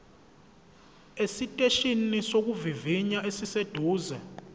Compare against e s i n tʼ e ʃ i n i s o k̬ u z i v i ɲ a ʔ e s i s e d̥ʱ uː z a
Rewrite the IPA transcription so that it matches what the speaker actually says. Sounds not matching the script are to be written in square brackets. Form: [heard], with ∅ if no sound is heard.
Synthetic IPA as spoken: e s i [∅] tʼ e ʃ i n i s o k̬ u [v] i v i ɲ a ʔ e s i s e d̥ʱ uː z [ɛ]